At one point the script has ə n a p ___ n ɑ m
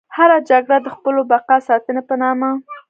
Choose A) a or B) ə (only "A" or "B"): B